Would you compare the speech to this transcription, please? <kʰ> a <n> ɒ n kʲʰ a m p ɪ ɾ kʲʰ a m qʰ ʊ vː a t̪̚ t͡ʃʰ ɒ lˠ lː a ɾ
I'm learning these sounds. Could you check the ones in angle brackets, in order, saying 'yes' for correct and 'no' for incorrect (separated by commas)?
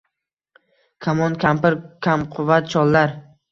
yes, no